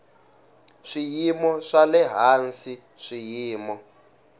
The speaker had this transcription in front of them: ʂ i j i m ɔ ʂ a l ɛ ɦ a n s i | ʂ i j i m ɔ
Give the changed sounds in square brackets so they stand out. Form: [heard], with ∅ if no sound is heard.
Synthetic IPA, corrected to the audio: ʂ i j i m ɔ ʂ a l ɛ ɦ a n s i | ʂ i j [iː] m ɔ